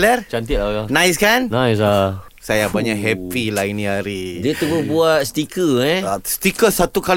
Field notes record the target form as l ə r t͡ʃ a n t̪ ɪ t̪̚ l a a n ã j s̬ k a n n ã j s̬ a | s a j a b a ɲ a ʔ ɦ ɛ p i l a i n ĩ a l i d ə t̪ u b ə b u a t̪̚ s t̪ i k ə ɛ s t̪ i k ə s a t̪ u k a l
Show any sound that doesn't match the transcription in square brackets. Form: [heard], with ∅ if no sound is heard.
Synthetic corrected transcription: l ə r t͡ʃ a n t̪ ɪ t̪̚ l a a n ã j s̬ k a n n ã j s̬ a | s a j a b a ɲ a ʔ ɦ ɛ p i l a i n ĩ a [ɾ] i d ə t̪ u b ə b u a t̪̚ s t̪ i k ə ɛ s t̪ i k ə s a t̪ u k a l